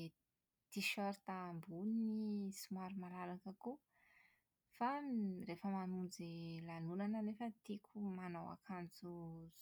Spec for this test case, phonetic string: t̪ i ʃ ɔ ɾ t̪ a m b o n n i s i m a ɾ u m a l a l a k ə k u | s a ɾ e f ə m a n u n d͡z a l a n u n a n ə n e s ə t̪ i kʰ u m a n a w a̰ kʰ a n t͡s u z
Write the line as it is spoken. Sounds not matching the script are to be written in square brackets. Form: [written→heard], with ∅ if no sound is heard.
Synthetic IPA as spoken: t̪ i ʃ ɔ ɾ t̪ a m b [o→u] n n i s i m a ɾ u m a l a l a k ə k u | [s→f] a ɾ e f ə m a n u n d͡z [a→e] l a n u n a n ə n e [s→f] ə t̪ i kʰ u m a n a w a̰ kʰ a n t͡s u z